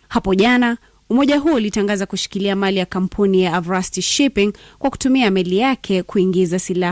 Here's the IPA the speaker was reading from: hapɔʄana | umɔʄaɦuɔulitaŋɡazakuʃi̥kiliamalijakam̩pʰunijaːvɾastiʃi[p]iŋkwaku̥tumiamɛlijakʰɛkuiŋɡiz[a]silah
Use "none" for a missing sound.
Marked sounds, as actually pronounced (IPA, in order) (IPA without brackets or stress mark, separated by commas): p, a